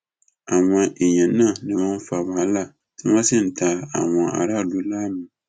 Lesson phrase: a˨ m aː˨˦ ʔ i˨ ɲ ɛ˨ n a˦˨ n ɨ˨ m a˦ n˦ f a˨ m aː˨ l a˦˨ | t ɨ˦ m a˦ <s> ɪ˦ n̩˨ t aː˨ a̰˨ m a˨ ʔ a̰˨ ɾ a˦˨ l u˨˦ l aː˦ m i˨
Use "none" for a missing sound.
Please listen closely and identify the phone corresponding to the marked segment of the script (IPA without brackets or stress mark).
s